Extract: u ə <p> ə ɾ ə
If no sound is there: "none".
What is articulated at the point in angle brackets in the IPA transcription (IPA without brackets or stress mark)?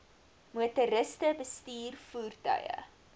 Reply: t